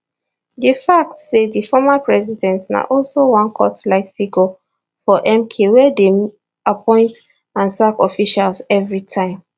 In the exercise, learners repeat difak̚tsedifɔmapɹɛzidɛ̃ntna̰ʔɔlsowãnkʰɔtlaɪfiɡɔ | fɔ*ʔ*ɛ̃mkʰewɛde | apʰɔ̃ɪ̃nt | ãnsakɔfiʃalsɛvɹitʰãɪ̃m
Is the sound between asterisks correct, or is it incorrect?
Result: correct